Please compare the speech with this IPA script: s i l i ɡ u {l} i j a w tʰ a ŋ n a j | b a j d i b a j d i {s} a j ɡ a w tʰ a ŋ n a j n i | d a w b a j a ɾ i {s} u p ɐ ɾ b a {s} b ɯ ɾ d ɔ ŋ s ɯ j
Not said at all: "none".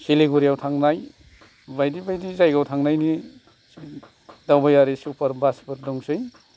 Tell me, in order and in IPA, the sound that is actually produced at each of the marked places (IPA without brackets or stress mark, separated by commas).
ɾ, z, s, s